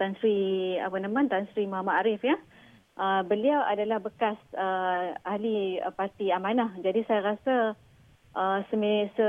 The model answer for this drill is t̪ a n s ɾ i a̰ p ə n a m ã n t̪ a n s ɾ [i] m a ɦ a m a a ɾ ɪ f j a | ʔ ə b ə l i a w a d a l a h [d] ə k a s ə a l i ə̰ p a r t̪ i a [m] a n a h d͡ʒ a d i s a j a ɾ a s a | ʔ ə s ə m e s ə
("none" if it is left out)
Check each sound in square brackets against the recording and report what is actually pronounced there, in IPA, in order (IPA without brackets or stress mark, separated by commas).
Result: i, b, m